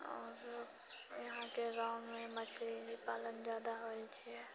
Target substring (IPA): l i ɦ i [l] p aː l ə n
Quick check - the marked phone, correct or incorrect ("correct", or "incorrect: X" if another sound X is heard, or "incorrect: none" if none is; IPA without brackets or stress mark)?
incorrect: none